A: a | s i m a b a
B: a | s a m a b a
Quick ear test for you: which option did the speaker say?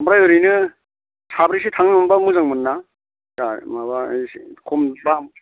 B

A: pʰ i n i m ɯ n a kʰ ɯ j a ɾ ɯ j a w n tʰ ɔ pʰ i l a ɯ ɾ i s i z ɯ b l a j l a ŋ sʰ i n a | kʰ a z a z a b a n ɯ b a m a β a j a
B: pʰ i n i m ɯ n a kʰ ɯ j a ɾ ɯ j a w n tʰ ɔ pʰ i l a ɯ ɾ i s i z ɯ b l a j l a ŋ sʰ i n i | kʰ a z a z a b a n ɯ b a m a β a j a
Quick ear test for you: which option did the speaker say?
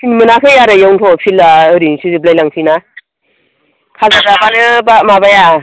A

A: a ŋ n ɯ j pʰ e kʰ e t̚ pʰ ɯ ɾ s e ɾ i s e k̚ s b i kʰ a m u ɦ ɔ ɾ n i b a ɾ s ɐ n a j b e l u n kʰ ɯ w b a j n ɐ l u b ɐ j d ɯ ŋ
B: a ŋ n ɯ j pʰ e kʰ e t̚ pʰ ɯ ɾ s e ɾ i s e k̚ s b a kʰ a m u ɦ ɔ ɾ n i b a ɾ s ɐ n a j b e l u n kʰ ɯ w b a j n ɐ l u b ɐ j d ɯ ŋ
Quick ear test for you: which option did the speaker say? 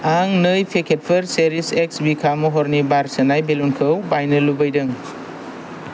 A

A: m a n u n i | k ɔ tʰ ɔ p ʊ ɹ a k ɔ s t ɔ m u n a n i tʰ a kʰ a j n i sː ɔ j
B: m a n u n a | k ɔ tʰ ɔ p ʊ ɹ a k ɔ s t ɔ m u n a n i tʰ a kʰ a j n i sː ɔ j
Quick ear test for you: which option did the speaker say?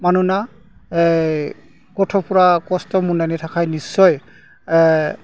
B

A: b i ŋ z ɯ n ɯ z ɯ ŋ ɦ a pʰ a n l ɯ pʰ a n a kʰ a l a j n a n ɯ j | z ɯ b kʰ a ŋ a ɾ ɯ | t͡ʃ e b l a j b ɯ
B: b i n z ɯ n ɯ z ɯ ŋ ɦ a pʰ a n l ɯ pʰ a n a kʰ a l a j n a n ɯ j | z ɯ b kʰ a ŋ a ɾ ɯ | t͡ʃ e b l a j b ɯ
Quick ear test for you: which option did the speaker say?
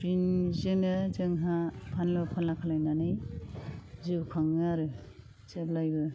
B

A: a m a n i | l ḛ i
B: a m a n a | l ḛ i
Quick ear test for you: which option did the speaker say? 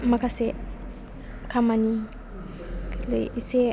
A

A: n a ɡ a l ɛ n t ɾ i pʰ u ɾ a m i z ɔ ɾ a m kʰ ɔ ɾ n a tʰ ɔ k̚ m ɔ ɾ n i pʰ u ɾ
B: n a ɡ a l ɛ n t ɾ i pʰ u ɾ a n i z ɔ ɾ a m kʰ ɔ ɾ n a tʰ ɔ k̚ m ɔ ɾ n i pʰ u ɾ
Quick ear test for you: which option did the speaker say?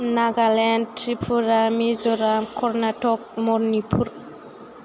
A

